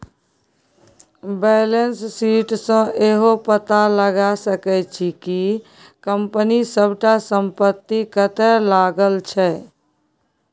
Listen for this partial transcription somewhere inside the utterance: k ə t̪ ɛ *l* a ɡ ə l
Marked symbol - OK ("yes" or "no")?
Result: yes